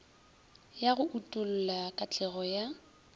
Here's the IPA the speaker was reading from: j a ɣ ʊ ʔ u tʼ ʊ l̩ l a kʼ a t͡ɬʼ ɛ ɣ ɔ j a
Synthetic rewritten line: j a ɣ ʊ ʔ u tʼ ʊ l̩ l a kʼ a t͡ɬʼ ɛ ɣ ɔ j a